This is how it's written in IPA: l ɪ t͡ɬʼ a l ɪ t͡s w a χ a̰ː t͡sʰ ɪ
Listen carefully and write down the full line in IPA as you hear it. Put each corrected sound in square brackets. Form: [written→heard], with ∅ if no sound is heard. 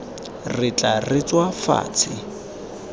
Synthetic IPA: [l→r] ɪ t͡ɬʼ a [l→r] ɪ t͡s w a [χ→f] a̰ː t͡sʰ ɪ